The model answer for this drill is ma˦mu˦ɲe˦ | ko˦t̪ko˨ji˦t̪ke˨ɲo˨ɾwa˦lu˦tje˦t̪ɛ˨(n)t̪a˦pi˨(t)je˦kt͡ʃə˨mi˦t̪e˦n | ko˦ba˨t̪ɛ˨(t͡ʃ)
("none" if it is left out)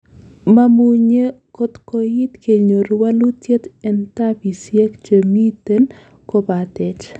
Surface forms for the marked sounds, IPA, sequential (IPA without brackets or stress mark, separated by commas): n, s, t͡ʃ